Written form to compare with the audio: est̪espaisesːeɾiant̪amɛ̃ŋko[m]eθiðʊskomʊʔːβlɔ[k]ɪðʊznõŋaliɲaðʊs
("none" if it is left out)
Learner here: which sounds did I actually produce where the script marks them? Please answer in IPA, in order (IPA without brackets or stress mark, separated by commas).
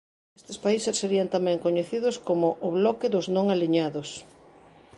ɲ, k